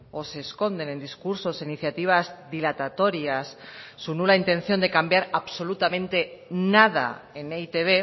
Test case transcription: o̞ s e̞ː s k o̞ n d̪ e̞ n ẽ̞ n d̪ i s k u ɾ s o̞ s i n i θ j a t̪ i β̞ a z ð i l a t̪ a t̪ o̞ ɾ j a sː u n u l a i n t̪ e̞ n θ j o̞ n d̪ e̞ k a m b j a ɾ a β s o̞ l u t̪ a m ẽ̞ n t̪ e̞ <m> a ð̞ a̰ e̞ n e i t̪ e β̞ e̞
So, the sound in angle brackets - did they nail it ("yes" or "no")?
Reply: no